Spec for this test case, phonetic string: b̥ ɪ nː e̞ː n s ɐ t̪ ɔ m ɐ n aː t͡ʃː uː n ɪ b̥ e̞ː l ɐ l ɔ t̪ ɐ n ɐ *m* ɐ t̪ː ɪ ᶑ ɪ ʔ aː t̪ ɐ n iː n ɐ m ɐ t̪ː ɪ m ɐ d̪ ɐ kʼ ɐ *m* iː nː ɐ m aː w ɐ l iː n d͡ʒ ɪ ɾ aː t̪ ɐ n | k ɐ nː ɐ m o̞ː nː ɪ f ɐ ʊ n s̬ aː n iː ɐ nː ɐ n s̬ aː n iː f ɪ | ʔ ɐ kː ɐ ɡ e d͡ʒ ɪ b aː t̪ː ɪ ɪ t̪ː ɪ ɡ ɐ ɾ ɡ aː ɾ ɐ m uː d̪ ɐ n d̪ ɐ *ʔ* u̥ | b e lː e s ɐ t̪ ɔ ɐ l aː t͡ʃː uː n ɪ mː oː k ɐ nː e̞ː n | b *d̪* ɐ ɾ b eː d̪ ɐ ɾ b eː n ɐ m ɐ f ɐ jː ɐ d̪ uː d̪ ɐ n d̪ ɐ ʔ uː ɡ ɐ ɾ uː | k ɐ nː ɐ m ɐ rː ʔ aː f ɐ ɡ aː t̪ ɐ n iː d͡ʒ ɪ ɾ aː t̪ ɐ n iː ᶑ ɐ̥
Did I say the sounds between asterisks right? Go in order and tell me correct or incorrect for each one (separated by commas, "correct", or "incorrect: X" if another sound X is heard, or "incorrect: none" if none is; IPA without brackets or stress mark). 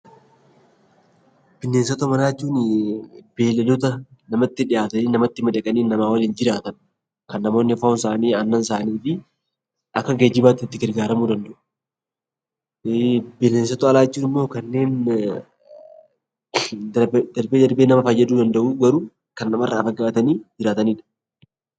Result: correct, incorrect: n, correct, correct